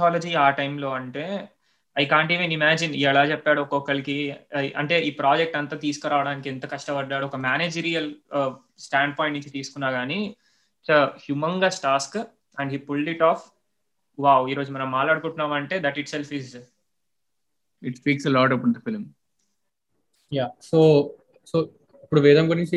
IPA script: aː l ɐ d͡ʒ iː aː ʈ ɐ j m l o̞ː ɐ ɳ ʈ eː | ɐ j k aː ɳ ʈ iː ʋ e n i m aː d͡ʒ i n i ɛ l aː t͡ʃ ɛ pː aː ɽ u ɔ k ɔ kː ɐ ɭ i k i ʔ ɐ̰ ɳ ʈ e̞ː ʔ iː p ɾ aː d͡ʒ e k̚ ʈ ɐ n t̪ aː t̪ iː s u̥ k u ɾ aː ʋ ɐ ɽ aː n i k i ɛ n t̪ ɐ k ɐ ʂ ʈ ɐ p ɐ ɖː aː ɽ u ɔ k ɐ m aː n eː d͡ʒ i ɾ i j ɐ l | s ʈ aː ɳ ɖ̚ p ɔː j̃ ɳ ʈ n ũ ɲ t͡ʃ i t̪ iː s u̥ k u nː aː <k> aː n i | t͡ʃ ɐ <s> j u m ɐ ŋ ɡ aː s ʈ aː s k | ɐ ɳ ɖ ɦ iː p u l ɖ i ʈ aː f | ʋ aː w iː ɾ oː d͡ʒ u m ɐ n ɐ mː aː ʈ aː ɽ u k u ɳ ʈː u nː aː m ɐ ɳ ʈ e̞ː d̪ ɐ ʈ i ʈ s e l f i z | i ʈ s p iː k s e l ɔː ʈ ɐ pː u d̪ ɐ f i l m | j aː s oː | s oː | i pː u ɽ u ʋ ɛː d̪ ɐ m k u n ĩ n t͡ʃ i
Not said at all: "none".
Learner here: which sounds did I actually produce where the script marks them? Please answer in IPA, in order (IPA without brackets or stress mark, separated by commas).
ɡ, h